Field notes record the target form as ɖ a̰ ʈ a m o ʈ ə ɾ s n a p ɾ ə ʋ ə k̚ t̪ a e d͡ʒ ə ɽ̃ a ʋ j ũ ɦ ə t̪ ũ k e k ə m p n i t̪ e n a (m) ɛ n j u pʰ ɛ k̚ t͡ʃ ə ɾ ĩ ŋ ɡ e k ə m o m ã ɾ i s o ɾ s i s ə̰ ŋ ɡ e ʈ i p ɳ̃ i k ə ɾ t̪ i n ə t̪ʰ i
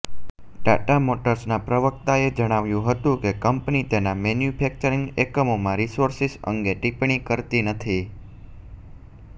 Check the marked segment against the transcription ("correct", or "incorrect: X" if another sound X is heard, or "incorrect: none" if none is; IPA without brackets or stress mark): correct